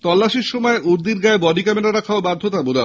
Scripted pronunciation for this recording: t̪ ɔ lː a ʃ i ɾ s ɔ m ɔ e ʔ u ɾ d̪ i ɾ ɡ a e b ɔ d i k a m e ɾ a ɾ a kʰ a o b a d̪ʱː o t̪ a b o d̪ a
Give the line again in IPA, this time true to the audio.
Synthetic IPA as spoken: t̪ ɔ lː a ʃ i ɾ ʃ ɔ m ɔ e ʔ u ɾ d̪ i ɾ ɡ a e b ɔ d i k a m e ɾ a ɾ a kʰ a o b a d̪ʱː o t̪ a b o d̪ a